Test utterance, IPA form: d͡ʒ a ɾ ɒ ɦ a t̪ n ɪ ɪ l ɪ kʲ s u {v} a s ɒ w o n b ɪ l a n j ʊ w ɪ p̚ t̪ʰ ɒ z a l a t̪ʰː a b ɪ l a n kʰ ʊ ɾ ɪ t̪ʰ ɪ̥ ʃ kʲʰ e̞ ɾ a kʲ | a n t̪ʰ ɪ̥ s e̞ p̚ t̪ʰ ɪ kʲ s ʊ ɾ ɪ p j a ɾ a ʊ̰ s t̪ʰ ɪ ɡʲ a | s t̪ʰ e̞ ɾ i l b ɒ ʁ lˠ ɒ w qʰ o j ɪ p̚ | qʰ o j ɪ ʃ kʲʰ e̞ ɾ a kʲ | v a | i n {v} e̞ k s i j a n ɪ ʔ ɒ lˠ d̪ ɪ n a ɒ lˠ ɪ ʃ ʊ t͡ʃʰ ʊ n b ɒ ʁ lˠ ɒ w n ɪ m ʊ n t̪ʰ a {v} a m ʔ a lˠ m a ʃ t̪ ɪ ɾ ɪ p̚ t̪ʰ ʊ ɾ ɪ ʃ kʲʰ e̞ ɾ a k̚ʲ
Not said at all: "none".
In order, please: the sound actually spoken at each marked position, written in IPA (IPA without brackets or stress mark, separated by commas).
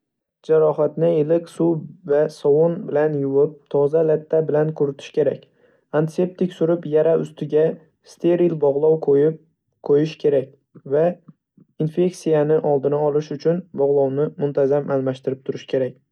v, f, z